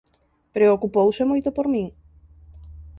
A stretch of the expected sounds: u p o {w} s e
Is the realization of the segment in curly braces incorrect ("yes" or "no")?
no